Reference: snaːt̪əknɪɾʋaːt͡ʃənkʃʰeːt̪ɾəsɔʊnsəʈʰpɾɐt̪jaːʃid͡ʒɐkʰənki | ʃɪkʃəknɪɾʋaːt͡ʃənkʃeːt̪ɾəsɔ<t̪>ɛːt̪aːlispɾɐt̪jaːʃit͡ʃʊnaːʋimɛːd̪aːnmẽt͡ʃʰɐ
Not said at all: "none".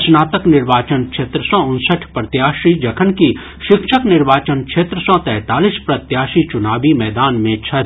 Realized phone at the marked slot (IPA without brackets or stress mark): t̪